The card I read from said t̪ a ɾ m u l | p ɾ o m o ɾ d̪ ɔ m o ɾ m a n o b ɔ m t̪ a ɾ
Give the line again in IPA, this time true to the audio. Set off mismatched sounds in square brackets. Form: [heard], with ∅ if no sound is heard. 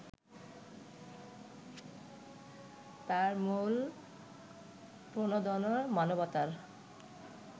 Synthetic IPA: t̪ a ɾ m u l | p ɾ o [n] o [∅] d̪ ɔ [n] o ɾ m a n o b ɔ [∅] t̪ a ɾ